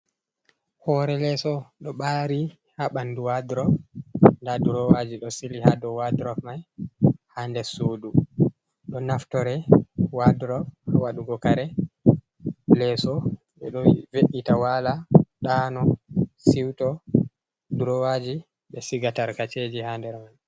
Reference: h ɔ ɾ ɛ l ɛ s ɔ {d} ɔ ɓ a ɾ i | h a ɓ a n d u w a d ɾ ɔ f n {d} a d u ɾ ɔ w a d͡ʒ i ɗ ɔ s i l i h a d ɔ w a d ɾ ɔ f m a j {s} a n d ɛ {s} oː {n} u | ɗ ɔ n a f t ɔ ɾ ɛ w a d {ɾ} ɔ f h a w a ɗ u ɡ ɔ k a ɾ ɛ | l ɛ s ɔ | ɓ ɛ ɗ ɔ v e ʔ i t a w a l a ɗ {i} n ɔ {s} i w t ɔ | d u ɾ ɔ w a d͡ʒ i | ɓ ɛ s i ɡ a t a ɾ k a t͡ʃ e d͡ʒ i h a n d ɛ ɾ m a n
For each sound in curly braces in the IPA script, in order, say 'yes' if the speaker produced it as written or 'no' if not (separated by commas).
no, yes, no, yes, no, yes, no, yes